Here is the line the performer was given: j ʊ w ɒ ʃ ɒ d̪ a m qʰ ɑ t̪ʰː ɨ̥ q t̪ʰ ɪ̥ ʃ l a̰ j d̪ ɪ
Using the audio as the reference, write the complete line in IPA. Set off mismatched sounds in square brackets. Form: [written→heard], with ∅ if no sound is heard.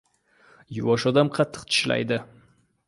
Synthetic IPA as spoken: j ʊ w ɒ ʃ ɒ d̪ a m qʰ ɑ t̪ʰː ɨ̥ q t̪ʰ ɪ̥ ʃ l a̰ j d̪ ɪ